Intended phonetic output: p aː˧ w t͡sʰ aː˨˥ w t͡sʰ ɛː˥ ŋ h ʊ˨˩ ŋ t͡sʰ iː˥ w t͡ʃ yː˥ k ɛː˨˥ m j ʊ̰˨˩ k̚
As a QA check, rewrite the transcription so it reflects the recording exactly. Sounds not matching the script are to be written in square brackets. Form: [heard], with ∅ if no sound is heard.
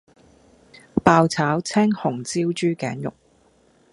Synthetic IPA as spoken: p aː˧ w t͡sʰ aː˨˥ w t͡sʰ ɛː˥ ŋ h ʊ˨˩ ŋ [t͡s] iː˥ w t͡ʃ yː˥ k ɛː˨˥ [n] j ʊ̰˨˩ k̚